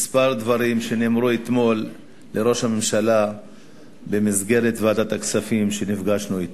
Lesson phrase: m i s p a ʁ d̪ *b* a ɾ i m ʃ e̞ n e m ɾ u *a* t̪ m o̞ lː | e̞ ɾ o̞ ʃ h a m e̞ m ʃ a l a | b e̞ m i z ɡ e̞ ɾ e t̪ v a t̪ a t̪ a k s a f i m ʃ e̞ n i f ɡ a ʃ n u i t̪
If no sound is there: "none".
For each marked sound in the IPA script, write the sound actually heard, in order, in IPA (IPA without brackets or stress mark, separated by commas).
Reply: v, e